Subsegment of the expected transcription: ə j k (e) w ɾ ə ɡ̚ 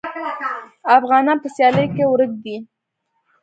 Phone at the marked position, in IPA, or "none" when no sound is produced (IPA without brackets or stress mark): e